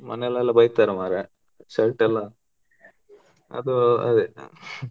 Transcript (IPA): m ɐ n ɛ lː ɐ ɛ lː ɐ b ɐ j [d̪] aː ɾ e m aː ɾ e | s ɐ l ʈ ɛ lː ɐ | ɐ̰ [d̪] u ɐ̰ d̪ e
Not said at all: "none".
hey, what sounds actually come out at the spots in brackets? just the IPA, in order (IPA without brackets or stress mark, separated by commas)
t̪, d̪